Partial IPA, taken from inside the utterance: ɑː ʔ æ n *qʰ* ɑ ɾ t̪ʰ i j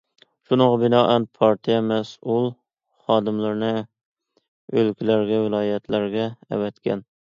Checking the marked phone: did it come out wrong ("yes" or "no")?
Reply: yes